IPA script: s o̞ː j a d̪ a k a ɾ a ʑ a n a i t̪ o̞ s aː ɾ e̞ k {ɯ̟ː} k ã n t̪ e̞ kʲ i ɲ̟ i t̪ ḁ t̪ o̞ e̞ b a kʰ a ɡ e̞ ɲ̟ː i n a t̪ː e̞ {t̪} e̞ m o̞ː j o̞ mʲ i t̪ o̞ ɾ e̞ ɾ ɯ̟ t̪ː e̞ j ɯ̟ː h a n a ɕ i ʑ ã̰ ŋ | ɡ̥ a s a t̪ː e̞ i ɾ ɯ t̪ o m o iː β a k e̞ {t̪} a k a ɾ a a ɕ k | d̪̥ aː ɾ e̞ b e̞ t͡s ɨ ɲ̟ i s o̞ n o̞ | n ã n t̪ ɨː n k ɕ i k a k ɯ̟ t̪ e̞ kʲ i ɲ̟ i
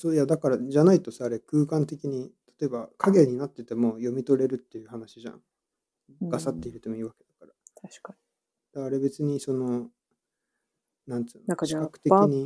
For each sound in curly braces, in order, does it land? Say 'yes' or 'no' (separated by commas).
yes, yes, no